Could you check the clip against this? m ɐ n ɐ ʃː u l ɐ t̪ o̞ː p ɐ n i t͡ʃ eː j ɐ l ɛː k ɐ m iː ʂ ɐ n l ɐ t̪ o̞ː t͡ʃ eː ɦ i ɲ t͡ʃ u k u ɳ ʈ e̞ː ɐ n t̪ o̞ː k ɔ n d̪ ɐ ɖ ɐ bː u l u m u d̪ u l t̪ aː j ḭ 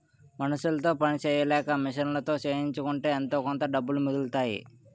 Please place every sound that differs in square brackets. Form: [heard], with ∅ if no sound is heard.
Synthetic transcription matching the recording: m ɐ n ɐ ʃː u l ɐ t̪ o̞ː p ɐ n i t͡ʃ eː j ɐ l ɛː k ɐ m [i] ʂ ɐ n l ɐ t̪ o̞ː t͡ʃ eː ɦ i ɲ t͡ʃ u k u ɳ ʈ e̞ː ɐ n t̪ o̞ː k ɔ n [t̪] ɐ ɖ ɐ bː u l u m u d̪ u l t̪ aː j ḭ